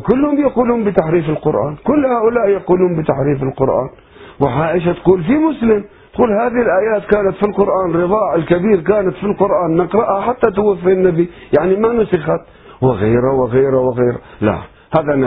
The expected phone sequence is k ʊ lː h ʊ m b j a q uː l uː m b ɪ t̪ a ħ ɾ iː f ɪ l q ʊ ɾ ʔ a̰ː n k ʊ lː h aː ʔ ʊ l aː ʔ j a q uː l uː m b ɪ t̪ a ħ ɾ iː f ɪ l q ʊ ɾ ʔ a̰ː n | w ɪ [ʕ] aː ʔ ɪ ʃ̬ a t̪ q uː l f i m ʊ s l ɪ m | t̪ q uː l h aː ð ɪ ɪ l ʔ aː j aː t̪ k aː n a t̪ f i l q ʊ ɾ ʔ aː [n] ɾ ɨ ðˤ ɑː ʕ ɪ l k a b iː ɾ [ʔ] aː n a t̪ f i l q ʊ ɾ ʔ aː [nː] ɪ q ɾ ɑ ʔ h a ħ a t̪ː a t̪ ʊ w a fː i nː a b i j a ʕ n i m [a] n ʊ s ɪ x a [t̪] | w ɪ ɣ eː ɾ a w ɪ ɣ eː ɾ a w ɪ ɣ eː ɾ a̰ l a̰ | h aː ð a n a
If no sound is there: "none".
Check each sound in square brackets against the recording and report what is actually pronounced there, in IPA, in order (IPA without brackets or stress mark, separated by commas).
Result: ʕ, n, k, nː, a, t̪